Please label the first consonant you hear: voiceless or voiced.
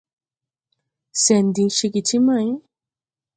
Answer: voiceless